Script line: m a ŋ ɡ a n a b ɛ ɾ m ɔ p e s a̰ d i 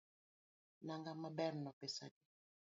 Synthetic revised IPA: n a ŋ ɡ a m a b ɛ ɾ n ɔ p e s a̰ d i